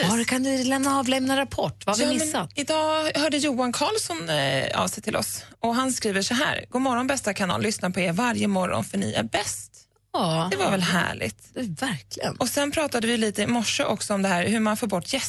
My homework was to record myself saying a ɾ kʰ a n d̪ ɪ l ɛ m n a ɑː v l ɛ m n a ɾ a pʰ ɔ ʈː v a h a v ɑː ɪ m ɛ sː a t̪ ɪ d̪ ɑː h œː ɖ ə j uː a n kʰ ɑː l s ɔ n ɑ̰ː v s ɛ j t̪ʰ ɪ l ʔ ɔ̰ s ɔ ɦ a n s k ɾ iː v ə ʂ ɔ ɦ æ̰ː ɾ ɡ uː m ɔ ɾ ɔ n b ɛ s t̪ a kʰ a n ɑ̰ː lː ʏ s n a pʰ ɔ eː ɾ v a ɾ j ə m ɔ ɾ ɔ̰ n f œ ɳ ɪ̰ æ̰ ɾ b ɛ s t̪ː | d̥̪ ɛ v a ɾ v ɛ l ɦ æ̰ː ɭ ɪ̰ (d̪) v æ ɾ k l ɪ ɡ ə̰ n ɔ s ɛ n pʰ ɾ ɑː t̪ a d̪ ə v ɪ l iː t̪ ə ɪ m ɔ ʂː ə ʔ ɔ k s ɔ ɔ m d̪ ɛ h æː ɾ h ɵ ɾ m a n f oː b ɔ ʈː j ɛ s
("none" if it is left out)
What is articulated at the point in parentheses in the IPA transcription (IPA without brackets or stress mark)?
t̪